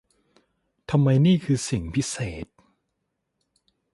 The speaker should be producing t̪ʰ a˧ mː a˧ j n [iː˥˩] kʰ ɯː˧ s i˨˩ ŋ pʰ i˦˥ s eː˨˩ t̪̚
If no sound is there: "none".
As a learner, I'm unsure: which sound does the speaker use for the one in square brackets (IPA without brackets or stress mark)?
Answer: iː˥˩